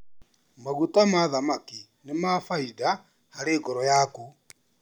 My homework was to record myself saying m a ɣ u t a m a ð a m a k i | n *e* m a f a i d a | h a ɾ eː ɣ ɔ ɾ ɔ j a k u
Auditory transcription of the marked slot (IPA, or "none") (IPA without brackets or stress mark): e